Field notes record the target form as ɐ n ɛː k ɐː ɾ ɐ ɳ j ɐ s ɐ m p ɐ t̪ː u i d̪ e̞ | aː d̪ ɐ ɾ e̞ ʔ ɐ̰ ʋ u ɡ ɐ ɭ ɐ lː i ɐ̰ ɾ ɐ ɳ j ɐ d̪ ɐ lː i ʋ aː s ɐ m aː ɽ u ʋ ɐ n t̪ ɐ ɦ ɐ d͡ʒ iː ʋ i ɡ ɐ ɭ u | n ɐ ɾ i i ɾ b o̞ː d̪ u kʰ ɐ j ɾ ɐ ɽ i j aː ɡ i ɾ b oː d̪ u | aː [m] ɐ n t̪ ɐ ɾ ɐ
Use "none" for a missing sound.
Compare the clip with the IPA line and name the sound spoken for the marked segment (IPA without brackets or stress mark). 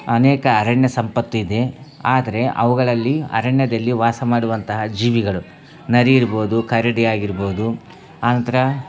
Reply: n